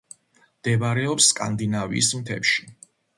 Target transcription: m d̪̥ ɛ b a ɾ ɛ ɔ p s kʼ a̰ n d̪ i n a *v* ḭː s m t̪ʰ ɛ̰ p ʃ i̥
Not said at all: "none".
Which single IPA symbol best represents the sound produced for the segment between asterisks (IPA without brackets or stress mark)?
v